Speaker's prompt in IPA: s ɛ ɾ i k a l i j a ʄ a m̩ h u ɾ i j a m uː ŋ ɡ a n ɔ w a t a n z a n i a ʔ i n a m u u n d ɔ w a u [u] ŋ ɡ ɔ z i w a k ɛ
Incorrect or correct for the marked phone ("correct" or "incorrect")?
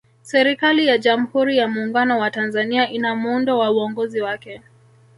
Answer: incorrect